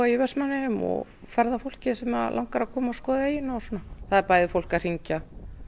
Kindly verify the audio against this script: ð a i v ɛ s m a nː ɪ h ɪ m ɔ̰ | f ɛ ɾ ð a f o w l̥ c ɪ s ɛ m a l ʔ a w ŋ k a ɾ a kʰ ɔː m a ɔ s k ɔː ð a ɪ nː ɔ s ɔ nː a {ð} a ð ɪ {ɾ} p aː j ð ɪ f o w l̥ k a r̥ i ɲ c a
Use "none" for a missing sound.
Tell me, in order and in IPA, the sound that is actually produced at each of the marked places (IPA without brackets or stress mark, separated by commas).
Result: θ, ɾ